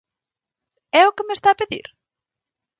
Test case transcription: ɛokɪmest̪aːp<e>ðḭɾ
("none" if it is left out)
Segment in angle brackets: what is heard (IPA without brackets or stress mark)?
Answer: e